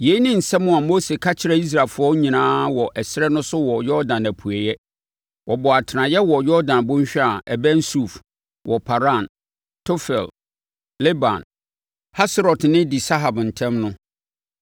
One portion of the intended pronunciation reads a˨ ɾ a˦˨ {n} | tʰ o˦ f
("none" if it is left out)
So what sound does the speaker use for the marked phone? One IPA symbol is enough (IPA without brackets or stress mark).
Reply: n